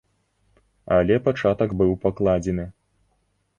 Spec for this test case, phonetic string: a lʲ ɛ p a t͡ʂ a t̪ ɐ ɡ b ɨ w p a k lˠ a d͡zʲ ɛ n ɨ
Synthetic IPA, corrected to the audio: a lʲ ɛ p a t͡ʂ a t̪ ɐ ɡ b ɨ w p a k lˠ a d͡zʲ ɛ n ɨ